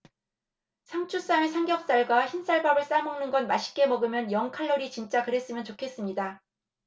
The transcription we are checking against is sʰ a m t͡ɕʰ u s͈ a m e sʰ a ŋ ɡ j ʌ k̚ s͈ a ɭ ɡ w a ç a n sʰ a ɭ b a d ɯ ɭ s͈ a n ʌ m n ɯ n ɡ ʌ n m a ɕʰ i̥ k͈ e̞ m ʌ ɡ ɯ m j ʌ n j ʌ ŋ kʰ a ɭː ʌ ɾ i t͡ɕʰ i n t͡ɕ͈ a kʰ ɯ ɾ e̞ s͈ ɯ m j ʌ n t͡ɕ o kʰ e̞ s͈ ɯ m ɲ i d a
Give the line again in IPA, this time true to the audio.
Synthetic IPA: sʰ a m t͡ɕʰ u s͈ a m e sʰ a ŋ ɡ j ʌ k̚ s͈ a ɭ ɡ w a ç i n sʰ a ɭ b a b ɯ ɭ s͈ a m ʌ ŋ n ɯ n ɡ ʌ n m a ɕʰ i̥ k͈ e̞ m ʌ ɡ ɯ m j ʌ n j ʌ ŋ kʰ a ɭː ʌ ɾ i t͡ɕ i n t͡ɕ͈ a k ɯ ɾ e̞ s͈ ɯ m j ʌ n t͡ɕ o kʰ e̞ s͈ ɯ m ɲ i d a

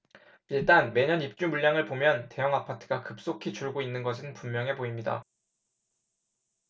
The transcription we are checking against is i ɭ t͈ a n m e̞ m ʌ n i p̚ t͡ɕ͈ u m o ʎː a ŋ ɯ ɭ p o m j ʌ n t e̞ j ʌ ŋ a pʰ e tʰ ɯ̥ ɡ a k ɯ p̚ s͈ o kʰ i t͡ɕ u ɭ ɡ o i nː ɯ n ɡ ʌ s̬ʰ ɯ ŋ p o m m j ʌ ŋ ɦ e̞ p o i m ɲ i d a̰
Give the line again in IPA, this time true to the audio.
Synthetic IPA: i ɭ t͈ a n m e̞ ɲ ʌ n i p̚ t͡ɕ͈ u m u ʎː a ŋ ɯ ɭ p o m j ʌ n t e̞ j ʌ ŋ a pʰ a tʰ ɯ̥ ɡ a k ɯ p̚ s͈ o kʰ i t͡ɕ u ɭ ɡ o i nː ɯ n ɡ ʌ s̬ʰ ɯ n p u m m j ʌ ŋ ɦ e̞ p o i m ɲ i d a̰

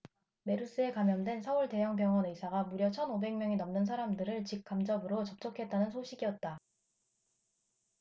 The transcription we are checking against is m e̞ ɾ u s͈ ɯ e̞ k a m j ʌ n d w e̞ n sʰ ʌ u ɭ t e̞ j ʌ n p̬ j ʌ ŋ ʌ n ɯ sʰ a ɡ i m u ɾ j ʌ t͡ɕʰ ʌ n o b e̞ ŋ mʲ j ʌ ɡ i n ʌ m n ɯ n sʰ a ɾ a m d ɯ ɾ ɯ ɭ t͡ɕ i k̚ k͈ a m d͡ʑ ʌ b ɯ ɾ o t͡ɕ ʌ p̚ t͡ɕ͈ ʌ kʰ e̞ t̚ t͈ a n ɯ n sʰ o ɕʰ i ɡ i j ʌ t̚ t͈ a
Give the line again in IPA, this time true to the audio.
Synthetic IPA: m e̞ ɾ u s͈ ɯ e̞ k a m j ʌ n d w e̞ n sʰ ʌ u ɭ t e̞ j ʌ ŋ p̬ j ʌ ŋ ʌ n ɯ sʰ a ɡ a m u ɾ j ʌ t͡ɕʰ ʌ n o b e̞ ŋ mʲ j ʌ ŋ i n ʌ m n ɯ n sʰ a ɾ a m d ɯ ɾ ɯ ɭ t͡ɕ i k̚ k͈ a m d͡ʑ ʌ b ɯ ɾ o t͡ɕ ʌ p̚ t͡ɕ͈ ʌ kʰ e̞ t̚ t͈ a n ɯ n sʰ o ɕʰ i ɡ i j ʌ t̚ t͈ a

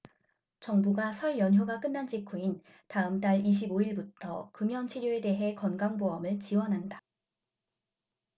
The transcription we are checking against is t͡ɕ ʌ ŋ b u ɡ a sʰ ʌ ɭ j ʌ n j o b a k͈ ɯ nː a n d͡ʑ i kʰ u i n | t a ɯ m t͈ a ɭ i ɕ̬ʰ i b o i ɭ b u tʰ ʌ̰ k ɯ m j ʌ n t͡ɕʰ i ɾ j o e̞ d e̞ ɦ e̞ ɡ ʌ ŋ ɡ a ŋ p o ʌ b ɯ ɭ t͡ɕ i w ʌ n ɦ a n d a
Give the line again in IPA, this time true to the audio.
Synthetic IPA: t͡ɕ ʌ ŋ b u ɡ a sʰ ʌ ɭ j ʌ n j o ɡ a k͈ ɯ nː a n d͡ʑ i kʰ u i n | t a ɯ m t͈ a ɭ i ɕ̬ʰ i b o i ɭ b u tʰ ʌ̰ k ɯ m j ʌ n t͡ɕʰ i ɾ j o e̞ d e̞ ɦ e̞ k ʌ n ɡ a ŋ b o ʌ m ɯ ɭ t͡ɕ i w ʌ n ɦ a n d a

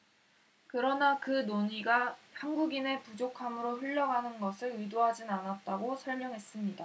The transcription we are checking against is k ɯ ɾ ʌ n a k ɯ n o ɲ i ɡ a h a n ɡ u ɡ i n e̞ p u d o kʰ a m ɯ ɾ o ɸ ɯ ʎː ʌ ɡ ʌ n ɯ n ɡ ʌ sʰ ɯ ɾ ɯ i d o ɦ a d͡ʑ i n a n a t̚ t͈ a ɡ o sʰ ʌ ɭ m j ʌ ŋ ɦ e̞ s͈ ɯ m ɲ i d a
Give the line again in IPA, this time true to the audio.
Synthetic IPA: k ɯ ɾ ʌ n a k ɯ n o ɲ i ɡ a h a n ɡ u ɡ i n e̞ p u d͡ʑ o kʰ a m ɯ ɾ o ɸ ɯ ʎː ʌ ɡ a n ɯ n ɡ ʌ sʰ ɯ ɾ ɯ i d o ɦ a d͡ʑ i n a n a t̚ t͈ a ɡ o sʰ ʌ ɭ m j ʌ ŋ ɦ e̞ s͈ ɯ m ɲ i d a

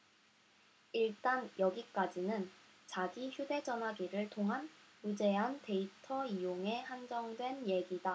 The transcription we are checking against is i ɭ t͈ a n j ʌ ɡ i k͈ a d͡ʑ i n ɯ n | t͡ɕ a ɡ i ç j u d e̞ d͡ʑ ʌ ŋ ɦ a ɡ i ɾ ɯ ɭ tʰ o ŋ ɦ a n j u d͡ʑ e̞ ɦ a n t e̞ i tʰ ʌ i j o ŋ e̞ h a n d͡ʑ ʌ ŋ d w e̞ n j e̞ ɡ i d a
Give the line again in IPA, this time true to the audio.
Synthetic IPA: i ɭ t͈ a n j ʌ ɡ i k͈ a d͡ʑ i n ɯ n | t͡ɕ a ɡ i ç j u d e̞ d͡ʑ ʌ n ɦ a ɡ i ɾ ɯ ɭ tʰ o ŋ ɦ a n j u d͡ʑ e̞ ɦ a n t e̞ i tʰ ʌ i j o ŋ e̞ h a n d͡ʑ ʌ ŋ d w e̞ n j e̞ ɡ i d a

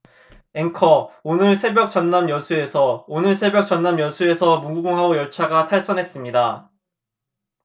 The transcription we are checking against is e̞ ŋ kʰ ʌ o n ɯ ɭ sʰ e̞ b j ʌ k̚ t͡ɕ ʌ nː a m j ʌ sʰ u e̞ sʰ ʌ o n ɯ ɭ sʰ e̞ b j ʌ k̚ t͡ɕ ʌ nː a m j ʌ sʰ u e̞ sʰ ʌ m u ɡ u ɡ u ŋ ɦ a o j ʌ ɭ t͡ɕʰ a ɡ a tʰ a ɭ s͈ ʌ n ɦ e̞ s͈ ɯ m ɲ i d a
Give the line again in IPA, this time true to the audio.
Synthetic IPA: e̞ ŋ kʰ ʌ o n ɯ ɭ sʰ e̞ b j ʌ k̚ t͡ɕ ʌ nː a m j ʌ sʰ u e̞ sʰ ʌ o n ɯ ɭ sʰ e̞ b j ʌ k̚ t͡ɕ ʌ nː a m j ʌ sʰ u e̞ sʰ ʌ m u ɡ u ɡ u ŋ ɦ a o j ʌ ɭ t͡ɕʰ a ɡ a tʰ a ɭ s͈ ʌ n ɦ e̞ s͈ ɯ m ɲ i d a

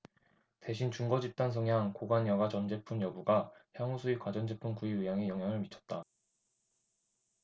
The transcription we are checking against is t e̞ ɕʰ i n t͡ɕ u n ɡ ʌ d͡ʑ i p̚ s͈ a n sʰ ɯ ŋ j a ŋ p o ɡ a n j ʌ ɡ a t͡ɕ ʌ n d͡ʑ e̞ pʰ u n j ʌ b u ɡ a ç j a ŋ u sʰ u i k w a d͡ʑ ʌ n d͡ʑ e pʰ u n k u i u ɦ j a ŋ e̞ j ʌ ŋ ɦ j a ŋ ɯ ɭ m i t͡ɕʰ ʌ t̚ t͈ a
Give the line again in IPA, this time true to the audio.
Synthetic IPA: t e̞ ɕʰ i n t͡ɕ u ŋ ɡ ʌ d͡ʑ i p̚ t͈ a n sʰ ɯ ŋ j a ŋ k o ɡ a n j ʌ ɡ a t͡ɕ ʌ n d͡ʑ e̞ pʰ u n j ʌ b u ɡ a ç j a ŋ u sʰ u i k w a d͡ʑ ʌ n d͡ʑ e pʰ u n k u i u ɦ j a ŋ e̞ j ʌ ŋ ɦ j a ŋ ɯ ɭ m i t͡ɕʰ ʌ t̚ t͈ a

